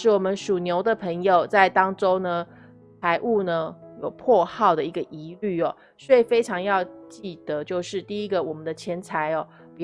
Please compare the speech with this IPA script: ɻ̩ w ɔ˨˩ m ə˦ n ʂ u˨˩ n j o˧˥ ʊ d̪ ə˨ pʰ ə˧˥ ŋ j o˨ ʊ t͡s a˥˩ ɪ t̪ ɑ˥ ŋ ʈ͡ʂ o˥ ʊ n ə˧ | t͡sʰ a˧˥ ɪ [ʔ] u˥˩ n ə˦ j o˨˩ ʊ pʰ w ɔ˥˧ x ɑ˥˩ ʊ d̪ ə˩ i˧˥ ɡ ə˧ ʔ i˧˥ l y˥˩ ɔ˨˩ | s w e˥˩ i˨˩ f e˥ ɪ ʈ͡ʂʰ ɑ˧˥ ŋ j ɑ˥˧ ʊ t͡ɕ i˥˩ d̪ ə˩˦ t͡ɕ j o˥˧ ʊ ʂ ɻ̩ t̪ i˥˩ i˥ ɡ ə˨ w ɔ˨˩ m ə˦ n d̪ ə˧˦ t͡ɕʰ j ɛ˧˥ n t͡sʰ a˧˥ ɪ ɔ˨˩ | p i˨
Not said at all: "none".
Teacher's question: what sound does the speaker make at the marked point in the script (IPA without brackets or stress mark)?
ʔ